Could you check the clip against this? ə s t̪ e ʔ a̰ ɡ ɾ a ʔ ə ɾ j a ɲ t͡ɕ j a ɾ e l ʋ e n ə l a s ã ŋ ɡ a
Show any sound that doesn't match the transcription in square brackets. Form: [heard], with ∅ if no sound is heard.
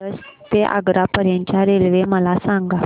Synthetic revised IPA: ə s t̪ e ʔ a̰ ɡ ɾ a [p] ə ɾ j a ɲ t͡ɕ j a ɾ e l ʋ e [m] ə l a s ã ŋ ɡ a